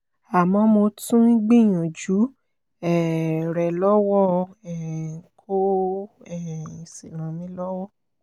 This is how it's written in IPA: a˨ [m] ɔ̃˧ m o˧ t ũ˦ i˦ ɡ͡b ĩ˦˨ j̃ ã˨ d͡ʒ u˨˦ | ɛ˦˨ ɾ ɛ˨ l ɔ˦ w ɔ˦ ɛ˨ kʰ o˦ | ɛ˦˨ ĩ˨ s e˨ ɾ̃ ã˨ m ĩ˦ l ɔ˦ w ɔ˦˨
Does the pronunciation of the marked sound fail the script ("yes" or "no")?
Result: no